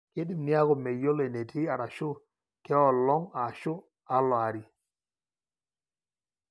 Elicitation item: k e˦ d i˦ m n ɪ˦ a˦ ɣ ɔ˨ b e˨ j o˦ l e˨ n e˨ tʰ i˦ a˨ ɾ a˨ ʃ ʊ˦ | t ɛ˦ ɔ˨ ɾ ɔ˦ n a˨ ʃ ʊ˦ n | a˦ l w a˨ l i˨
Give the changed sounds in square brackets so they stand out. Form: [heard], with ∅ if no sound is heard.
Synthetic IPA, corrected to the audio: k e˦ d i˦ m n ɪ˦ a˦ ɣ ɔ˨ [m] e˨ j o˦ l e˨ n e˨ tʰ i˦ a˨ ɾ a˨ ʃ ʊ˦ | [k] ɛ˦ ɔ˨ [l] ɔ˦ [ŋ] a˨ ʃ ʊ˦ [∅] | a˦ l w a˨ [ɾ] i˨